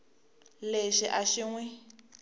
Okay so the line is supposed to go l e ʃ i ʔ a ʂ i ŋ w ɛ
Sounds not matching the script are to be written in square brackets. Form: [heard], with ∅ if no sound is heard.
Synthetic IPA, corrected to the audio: l e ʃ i ʔ a [ʃ] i ŋ w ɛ